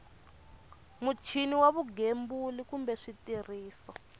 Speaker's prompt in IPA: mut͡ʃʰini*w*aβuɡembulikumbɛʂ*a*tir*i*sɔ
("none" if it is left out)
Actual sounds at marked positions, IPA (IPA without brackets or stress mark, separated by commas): w, i, iː